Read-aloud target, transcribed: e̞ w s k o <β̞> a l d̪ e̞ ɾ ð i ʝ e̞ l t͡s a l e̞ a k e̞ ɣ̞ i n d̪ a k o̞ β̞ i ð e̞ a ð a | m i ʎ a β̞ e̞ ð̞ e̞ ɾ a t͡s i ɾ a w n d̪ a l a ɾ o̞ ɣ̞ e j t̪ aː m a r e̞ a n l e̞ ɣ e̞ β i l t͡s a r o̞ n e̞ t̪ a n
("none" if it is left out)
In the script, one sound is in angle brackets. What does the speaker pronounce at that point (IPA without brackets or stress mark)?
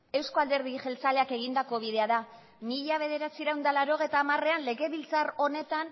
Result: none